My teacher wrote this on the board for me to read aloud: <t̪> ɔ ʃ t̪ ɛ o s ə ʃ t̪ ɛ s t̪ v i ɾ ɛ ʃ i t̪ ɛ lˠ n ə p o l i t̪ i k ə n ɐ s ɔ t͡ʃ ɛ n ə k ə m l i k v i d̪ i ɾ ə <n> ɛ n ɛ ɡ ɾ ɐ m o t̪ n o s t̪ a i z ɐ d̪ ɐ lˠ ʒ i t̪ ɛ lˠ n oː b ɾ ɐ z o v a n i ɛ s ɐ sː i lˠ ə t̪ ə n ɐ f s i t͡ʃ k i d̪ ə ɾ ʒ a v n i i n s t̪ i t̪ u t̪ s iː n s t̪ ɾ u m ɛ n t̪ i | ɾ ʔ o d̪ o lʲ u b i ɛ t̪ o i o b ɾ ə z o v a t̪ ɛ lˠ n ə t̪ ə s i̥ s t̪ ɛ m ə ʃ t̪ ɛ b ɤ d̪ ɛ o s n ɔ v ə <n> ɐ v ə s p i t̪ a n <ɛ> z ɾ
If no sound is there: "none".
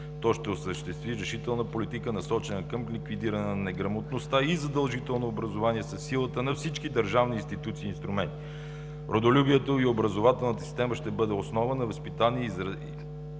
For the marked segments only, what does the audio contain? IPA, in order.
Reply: t̪, n, n, i

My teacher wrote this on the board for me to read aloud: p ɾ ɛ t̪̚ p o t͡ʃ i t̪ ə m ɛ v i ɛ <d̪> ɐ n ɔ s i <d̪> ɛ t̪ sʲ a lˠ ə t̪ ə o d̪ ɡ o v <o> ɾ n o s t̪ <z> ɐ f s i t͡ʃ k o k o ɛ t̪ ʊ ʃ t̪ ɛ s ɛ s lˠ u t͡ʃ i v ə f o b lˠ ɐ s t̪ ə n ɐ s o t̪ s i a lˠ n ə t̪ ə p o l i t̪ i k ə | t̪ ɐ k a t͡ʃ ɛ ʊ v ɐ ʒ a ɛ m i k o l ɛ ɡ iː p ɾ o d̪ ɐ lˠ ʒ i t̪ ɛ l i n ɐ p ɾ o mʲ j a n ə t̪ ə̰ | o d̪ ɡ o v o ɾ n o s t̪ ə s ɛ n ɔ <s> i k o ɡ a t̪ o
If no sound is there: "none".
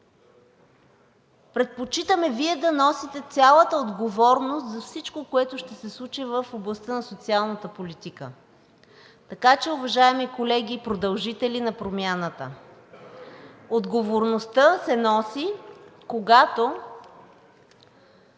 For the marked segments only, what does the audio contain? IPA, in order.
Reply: d̪, t̪, ɔ, z, s

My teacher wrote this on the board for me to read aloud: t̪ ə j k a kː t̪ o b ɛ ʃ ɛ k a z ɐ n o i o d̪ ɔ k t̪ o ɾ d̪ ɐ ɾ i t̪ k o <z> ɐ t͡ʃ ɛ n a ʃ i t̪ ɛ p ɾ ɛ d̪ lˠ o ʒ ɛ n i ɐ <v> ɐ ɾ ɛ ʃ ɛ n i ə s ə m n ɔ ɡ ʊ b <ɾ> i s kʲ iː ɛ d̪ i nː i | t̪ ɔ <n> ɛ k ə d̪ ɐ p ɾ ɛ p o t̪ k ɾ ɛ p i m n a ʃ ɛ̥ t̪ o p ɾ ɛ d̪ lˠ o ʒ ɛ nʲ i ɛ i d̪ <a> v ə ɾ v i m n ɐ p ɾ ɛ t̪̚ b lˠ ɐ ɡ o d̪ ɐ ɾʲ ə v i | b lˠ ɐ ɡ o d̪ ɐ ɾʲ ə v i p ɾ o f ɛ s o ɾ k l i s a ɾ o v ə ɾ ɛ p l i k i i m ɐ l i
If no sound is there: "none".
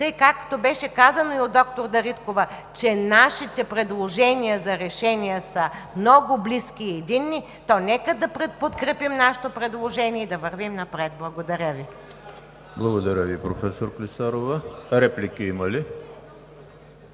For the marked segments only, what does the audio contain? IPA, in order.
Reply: v, z, l, n, ɐ

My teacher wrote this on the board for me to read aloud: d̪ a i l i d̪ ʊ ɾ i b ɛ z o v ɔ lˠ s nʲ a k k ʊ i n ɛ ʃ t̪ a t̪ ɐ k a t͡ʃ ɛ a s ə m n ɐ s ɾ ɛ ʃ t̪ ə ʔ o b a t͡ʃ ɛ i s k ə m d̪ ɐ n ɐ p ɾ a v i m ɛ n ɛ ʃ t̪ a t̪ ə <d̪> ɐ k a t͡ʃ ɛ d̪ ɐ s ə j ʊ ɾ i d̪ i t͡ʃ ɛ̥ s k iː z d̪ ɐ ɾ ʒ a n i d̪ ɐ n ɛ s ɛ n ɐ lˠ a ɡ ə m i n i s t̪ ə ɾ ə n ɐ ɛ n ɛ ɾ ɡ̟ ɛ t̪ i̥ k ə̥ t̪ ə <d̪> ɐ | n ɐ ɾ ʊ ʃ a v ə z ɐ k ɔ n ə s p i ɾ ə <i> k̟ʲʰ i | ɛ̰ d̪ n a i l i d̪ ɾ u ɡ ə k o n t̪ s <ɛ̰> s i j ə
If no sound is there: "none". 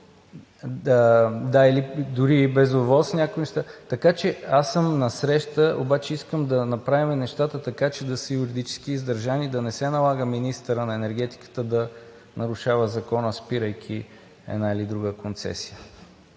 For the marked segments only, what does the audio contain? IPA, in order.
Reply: t̪, d̪, j, ɛ̰

